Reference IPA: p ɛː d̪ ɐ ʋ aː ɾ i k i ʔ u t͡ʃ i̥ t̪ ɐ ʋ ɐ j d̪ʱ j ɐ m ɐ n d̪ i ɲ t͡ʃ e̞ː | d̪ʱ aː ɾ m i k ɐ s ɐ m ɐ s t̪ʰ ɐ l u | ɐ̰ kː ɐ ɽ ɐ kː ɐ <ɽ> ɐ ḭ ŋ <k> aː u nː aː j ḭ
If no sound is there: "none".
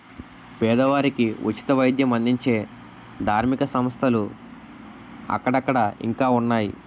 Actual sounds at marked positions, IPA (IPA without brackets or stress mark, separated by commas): ɽ, k